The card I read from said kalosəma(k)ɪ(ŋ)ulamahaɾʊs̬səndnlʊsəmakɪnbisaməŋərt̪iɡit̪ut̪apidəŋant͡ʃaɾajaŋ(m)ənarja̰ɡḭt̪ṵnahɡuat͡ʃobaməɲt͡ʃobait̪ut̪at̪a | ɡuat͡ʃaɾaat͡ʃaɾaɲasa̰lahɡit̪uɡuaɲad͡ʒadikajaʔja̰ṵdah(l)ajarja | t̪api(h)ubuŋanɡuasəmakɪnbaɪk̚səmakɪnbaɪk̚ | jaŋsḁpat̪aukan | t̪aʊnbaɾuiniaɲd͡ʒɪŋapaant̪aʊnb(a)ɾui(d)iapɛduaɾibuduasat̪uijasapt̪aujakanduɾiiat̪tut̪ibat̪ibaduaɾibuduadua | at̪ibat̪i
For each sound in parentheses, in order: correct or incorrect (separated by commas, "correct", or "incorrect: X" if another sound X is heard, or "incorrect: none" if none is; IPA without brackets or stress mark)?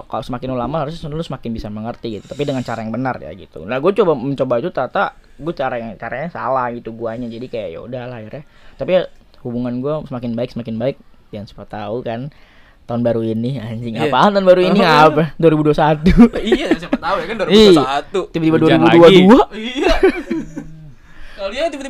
correct, incorrect: n, incorrect: b, correct, correct, correct, incorrect: n